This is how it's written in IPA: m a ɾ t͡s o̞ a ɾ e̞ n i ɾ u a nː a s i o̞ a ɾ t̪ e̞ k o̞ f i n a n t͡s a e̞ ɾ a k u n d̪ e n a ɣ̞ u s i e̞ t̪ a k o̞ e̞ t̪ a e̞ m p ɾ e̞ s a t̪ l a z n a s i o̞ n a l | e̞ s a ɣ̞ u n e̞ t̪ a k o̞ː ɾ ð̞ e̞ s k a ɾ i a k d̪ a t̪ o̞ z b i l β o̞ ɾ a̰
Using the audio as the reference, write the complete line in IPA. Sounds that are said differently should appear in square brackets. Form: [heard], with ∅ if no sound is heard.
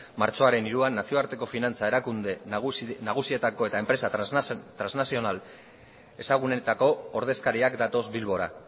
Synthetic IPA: m a ɾ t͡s o̞ a ɾ e̞ n i ɾ u a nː a s i o̞ a ɾ t̪ e̞ k o̞ f i n a n t͡s a e̞ ɾ a k u n d̪ e n a ɣ̞ u s i e̞ t̪ a k o̞ e̞ t̪ a e̞ m p ɾ e̞ s a t̪ [ɾ] a z n a s i o̞ n a l | e̞ s a ɣ̞ u n e̞ t̪ a k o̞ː ɾ ð̞ e̞ s k a ɾ i a k d̪ a t̪ o̞ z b i l β o̞ ɾ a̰

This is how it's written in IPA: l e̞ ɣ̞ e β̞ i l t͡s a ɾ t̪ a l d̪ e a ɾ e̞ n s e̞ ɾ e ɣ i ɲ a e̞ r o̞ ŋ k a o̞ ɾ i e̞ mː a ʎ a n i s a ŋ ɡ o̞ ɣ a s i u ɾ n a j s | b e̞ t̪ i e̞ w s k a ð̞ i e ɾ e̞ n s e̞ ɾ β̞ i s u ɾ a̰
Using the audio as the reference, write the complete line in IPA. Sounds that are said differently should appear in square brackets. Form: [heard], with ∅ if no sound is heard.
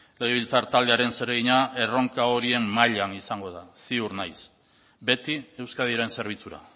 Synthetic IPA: l e̞ ɣ̞ e β̞ i l t͡s a ɾ t̪ a l d̪ e a ɾ e̞ n s e̞ ɾ e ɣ i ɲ a e̞ r o̞ ŋ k a o̞ ɾ i e̞ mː a ʎ a n i s a ŋ ɡ o̞ [ð] a s i u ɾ n a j s | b e̞ t̪ i e̞ w s k a ð̞ i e ɾ e̞ n s e̞ ɾ β̞ i [t͡s] u ɾ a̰

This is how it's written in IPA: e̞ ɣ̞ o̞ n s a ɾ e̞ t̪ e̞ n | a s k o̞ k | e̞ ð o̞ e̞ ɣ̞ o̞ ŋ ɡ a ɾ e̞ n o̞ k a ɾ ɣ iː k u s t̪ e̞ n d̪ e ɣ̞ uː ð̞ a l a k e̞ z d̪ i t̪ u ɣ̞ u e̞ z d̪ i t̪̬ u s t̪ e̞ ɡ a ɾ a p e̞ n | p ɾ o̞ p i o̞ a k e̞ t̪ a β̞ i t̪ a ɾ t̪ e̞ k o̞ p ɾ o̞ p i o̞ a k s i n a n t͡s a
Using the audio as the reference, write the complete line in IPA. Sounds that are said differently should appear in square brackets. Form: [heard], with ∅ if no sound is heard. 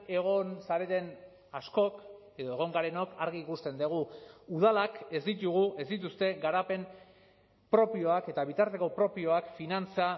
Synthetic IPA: e̞ ɣ̞ o̞ n s a ɾ e̞ t̪ e̞ n | a s k o̞ k | e̞ ð o̞ e̞ ɣ̞ o̞ ŋ ɡ a ɾ e̞ n o̞ k a ɾ ɣ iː k u s t̪ e̞ n d̪ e ɣ̞ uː ð̞ a l a k e̞ z d̪ i t̪ u ɣ̞ u e̞ z d̪ i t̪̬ u s t̪ e̞ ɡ a ɾ a p e̞ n | p ɾ o̞ p i o̞ a k e̞ t̪ a β̞ i t̪ a ɾ t̪ e̞ k o̞ p ɾ o̞ p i o̞ a k [f] i n a n t͡s a

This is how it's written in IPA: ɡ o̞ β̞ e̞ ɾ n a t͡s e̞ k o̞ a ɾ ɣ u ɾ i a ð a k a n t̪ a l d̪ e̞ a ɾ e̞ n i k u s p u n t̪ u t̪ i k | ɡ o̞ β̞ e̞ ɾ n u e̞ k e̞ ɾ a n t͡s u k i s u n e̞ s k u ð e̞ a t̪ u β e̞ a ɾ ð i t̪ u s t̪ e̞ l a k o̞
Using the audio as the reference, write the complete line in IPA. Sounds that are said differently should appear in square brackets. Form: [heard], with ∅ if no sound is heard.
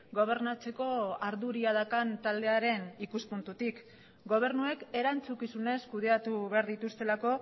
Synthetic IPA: ɡ o̞ β̞ e̞ ɾ n a t͡s e̞ k o̞ a ɾ [ð] u ɾ i a ð a k a n t̪ a l d̪ e̞ a ɾ e̞ n i k u s p u n t̪ u t̪ i k | ɡ o̞ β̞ e̞ ɾ n u e̞ k e̞ ɾ a n t͡s u k i s u n e̞ s k u ð e̞ a t̪ u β e̞ a ɾ ð i t̪ u s t̪ e̞ l a k o̞

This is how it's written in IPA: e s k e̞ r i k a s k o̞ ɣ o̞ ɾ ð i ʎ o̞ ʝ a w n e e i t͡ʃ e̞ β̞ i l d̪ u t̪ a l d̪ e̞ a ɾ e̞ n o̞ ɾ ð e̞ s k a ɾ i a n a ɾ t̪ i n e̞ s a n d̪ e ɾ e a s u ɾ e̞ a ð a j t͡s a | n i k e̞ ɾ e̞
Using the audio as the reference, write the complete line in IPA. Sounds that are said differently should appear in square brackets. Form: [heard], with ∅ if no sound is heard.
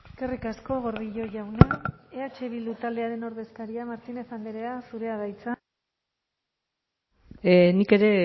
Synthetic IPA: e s k e̞ r i k a s k o̞ ɣ o̞ ɾ ð i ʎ o̞ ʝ a w n e e [a] t͡ʃ e̞ β̞ i l d̪ u t̪ a l d̪ e̞ a ɾ e̞ n o̞ ɾ ð e̞ s k a ɾ i a [m] a ɾ t̪ i n e̞ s a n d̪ e ɾ e a s u ɾ e̞ a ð a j t͡s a | n i k e̞ ɾ e̞

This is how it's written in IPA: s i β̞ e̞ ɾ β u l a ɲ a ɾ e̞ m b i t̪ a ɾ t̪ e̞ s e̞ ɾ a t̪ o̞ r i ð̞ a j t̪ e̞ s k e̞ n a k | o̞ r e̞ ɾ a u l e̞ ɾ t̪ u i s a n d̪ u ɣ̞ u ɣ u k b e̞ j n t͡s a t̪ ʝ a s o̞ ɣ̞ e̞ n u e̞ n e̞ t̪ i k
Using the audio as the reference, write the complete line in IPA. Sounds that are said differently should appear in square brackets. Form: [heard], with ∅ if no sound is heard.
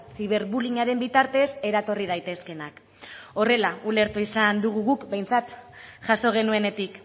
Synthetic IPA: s i β̞ e̞ ɾ β u l [i] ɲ a ɾ e̞ m b i t̪ a ɾ t̪ e̞ s e̞ ɾ a t̪ o̞ r i ð̞ a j t̪ e̞ s k e̞ n a k | o̞ r e̞ [l] a u l e̞ ɾ t̪ u i s a n d̪ u ɣ̞ u ɣ u k b e̞ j n t͡s a t̪ ʝ a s o̞ ɣ̞ e̞ n u e̞ n e̞ t̪ i k

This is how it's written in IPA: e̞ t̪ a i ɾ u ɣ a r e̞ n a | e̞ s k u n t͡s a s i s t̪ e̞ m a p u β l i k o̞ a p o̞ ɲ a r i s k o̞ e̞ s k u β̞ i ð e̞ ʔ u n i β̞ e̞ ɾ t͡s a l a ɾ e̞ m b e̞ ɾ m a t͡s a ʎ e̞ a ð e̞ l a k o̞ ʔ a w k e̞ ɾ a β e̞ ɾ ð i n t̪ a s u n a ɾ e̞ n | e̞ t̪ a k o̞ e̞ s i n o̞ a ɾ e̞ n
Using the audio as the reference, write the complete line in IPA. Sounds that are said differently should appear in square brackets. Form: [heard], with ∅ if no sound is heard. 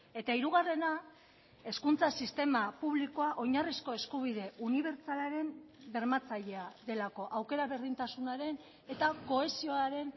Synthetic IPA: e̞ t̪ a i ɾ u ɣ a r e̞ n a | e̞ s k u n t͡s a s i s t̪ e̞ m a p u β l i k o̞ a [ʔ] o̞ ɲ a r i s k o̞ e̞ s k u β̞ i ð e̞ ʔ u n i β̞ e̞ ɾ t͡s a l a ɾ e̞ m b e̞ ɾ m a t͡s a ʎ e̞ a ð e̞ l a k o̞ ʔ a w k e̞ ɾ a β e̞ ɾ ð i n t̪ a s u n a ɾ e̞ n | e̞ t̪ a k o̞ e̞ s i [∅] o̞ a ɾ e̞ n

